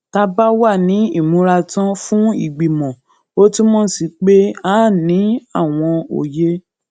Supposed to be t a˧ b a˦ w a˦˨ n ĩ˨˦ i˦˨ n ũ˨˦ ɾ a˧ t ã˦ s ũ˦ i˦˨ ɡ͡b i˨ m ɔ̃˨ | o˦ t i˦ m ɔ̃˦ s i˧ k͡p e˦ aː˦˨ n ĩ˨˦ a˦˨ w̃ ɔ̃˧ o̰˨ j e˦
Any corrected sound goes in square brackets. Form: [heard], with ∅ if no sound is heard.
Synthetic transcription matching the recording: t a˧ b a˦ w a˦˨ n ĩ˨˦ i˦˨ [m] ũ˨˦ ɾ a˧ t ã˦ [f] ũ˦ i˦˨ ɡ͡b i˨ m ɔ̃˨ | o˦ t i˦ m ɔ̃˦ s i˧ k͡p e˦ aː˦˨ n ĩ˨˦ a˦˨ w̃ ɔ̃˧ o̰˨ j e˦